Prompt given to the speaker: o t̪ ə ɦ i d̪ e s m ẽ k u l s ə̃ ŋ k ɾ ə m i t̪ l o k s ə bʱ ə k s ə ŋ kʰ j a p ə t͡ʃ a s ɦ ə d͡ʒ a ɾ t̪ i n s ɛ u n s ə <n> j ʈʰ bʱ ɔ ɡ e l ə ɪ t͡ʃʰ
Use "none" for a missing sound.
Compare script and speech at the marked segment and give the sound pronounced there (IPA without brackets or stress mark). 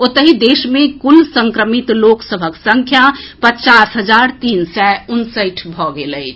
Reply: none